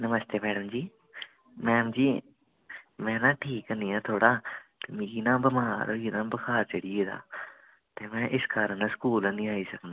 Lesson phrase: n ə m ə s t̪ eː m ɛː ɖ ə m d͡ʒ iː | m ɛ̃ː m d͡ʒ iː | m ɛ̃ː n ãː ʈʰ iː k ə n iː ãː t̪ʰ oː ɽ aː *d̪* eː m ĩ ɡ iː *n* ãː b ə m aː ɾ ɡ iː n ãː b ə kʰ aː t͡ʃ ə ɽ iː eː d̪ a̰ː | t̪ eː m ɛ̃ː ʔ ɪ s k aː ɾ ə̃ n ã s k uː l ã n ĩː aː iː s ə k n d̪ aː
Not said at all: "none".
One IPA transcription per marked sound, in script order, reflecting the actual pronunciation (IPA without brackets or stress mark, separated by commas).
t̪, n